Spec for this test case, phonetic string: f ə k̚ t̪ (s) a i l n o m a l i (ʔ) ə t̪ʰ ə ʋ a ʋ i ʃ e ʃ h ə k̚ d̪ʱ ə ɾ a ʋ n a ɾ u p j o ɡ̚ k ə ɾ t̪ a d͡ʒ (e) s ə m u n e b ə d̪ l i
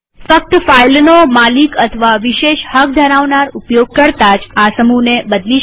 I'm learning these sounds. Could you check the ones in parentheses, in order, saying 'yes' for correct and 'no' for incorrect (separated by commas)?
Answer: no, no, no